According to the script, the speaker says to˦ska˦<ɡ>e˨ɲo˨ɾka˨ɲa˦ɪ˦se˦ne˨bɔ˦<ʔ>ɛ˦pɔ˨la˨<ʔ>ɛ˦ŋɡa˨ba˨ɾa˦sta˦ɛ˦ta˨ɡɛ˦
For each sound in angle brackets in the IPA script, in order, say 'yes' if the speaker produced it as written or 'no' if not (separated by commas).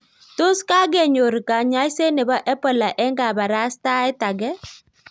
yes, yes, yes